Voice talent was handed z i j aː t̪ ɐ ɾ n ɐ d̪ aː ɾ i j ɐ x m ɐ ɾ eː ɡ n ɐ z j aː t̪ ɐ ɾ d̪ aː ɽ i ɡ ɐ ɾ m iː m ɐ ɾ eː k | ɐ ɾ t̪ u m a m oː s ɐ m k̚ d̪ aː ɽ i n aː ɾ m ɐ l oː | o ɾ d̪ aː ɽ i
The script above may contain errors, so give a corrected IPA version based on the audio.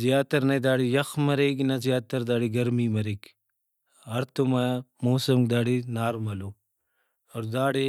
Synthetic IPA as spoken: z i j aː t̪ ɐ ɾ n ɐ d̪ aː ɽ i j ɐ x m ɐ ɾ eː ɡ n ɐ z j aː t̪ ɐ ɾ d̪ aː ɽ i ɡ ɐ ɾ m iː m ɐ ɾ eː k | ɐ ɾ t̪ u m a m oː s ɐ m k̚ d̪ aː ɽ i n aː ɾ m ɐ l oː | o ɾ d̪ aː ɽ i